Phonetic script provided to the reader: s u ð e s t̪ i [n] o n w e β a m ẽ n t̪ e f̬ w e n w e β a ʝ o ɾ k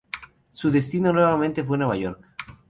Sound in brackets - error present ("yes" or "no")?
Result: no